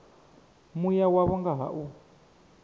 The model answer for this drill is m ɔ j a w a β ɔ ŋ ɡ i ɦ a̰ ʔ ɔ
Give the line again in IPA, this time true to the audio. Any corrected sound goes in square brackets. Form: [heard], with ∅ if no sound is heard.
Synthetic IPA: m [u] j a w a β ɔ ŋ ɡ [a] ɦ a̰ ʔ [u]